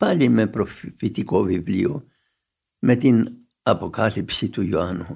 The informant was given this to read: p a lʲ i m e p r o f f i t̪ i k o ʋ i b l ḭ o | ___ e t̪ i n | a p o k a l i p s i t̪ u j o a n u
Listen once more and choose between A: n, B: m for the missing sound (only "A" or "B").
B